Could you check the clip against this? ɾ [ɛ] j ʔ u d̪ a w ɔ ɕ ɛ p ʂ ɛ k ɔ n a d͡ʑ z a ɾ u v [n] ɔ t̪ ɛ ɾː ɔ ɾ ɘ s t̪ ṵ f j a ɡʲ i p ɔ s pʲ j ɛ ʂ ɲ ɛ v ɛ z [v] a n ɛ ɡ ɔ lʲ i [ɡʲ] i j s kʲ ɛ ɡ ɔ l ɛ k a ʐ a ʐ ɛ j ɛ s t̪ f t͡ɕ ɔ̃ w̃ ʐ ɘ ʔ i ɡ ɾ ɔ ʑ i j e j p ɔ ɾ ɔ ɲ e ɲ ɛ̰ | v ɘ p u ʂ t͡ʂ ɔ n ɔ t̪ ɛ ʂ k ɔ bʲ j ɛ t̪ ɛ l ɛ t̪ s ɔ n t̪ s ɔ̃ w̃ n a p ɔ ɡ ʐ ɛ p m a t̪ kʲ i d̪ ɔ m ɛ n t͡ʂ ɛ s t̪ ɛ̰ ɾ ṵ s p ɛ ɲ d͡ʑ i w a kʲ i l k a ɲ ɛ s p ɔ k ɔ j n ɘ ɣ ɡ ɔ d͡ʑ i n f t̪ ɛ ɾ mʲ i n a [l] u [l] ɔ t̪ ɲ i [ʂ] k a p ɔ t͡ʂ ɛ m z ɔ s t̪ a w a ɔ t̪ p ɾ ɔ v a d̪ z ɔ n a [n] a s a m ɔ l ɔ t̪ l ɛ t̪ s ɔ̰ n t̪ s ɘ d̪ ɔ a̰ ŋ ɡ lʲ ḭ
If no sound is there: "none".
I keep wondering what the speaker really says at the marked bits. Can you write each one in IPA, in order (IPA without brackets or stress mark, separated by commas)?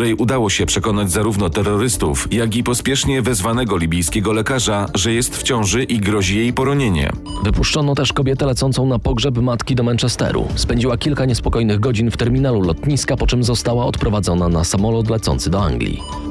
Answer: ɛ, n, v, bʲ, l, l, s, n